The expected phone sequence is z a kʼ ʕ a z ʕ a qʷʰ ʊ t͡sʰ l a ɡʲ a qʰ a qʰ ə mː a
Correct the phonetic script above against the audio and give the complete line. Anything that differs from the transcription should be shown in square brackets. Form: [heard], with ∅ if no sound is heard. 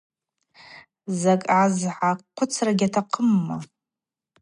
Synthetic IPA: z a kʼ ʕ a z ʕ a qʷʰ ʊ t͡sʰ [r] a ɡʲ a [tʰ] a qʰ ə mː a